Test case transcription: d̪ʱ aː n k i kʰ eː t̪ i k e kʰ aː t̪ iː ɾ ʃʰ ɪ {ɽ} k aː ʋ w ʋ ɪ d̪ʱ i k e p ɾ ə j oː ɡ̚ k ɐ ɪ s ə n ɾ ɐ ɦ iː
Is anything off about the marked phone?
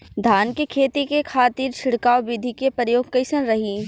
no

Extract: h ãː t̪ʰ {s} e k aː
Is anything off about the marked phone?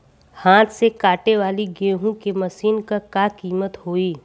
no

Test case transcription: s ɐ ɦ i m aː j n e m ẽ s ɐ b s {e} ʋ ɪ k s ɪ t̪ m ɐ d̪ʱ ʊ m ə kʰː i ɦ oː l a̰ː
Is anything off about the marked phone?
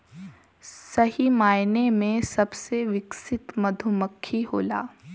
no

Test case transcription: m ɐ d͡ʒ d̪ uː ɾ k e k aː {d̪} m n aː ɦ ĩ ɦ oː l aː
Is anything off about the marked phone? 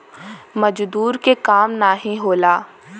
yes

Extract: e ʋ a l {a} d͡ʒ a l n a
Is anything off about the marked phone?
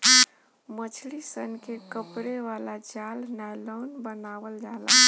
no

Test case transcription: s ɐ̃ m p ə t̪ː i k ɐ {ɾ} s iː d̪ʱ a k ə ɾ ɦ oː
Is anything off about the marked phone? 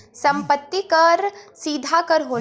no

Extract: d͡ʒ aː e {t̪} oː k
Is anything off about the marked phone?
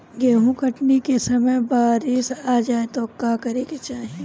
no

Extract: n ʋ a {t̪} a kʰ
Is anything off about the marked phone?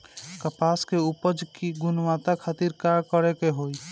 no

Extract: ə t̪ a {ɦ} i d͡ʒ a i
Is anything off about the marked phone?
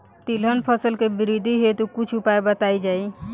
yes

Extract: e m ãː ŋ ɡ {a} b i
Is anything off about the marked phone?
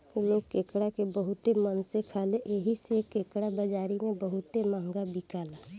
no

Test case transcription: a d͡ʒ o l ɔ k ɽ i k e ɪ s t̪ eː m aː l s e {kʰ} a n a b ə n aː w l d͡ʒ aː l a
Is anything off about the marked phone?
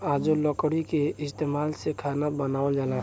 no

